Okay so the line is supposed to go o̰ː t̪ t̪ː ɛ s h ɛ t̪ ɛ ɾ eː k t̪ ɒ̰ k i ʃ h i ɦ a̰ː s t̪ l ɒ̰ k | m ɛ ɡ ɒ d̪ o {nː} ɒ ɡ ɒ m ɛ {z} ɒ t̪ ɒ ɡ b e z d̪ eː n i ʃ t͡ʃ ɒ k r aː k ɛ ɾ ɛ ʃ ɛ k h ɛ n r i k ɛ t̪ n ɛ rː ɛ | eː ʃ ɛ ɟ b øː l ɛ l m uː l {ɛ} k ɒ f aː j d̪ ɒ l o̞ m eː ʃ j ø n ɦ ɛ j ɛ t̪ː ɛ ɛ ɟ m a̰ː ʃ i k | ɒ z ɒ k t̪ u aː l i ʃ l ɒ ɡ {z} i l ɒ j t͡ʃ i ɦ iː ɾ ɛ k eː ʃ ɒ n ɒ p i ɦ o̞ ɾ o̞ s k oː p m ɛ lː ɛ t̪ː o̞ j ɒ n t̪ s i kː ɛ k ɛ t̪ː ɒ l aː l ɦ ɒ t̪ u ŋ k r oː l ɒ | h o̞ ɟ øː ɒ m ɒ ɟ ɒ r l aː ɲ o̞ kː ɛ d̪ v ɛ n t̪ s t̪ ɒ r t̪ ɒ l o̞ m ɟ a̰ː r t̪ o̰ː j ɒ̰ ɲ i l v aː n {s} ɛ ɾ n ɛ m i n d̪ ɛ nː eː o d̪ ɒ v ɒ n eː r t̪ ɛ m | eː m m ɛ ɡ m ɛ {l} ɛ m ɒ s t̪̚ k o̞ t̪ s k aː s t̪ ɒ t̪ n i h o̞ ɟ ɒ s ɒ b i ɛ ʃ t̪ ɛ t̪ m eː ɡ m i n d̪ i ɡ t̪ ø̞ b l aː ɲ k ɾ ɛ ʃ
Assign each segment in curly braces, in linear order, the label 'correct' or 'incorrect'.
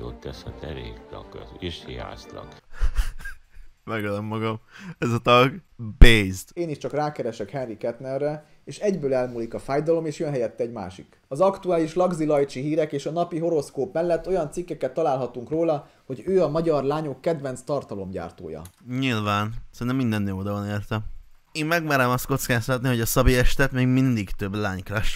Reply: incorrect: mː, correct, incorrect: i, correct, correct, incorrect: ɾ

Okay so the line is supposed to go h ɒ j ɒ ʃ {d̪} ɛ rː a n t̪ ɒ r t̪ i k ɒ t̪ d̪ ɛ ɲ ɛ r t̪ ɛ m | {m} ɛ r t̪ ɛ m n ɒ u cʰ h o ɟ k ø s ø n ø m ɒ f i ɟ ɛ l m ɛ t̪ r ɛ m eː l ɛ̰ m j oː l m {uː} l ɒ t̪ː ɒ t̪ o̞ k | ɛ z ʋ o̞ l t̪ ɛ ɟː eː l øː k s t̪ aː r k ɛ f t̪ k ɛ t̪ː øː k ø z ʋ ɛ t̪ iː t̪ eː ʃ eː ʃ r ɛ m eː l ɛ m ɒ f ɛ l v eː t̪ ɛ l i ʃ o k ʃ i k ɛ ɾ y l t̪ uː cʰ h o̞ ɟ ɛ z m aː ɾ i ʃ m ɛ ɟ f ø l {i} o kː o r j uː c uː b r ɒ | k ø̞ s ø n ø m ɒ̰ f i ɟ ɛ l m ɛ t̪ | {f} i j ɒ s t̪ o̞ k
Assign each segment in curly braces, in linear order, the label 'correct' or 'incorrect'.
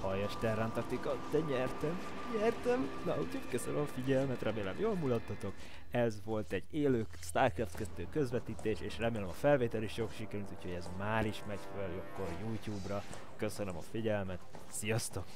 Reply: incorrect: t̪, incorrect: ɲ, incorrect: u, incorrect: j, incorrect: s

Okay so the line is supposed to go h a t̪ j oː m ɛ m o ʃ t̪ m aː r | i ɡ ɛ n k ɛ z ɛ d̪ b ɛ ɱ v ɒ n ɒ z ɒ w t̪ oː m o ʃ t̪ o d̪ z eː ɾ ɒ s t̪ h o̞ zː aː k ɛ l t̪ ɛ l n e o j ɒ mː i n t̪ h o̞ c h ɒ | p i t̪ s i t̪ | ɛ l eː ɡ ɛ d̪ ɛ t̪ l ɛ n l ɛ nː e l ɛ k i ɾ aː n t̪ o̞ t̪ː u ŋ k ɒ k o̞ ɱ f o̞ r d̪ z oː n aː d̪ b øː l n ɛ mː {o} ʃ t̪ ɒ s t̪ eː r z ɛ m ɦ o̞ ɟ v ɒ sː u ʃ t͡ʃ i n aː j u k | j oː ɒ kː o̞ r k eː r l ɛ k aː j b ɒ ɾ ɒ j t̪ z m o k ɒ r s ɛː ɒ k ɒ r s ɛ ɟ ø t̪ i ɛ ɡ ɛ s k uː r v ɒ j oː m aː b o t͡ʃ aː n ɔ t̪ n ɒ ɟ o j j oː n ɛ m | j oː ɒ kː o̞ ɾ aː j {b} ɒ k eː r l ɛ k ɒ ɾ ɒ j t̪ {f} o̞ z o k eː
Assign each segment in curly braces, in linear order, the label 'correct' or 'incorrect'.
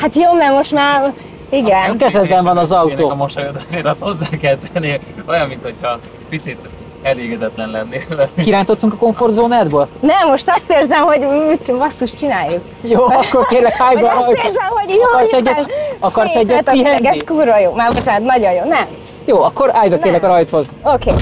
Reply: correct, correct, incorrect: h

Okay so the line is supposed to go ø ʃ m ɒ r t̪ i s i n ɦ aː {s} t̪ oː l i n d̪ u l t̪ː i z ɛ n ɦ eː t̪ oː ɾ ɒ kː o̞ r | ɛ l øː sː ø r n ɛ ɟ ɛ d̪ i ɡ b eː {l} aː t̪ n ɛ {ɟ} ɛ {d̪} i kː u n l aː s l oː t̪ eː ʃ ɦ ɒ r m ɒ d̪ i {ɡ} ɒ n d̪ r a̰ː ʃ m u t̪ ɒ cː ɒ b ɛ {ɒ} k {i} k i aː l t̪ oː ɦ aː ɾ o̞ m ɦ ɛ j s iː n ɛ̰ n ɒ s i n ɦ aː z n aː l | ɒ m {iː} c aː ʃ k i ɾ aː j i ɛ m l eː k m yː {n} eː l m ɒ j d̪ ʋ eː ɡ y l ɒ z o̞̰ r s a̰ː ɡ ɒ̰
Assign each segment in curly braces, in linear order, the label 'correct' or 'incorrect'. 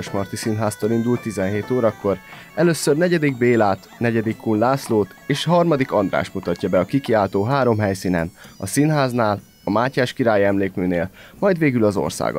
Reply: correct, correct, correct, correct, incorrect: k, correct, correct, incorrect: aː, correct

